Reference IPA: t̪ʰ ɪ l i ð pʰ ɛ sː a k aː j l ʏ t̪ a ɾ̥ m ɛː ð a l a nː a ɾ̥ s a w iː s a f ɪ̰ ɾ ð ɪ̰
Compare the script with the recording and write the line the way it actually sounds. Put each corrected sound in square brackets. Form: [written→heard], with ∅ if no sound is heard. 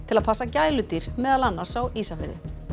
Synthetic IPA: t̪ʰ ɪ l [i→a] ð pʰ [ɛ→a] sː a [k→c] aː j l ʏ t̪ [a→i] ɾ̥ m ɛː ð a l a nː a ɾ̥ s a w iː s a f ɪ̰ ɾ ð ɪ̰